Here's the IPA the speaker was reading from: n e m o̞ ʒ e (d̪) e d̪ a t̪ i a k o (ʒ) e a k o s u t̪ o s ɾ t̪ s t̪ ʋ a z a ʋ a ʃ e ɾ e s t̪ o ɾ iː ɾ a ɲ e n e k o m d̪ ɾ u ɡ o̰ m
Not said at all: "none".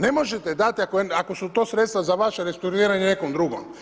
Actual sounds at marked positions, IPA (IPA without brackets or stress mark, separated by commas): t̪, none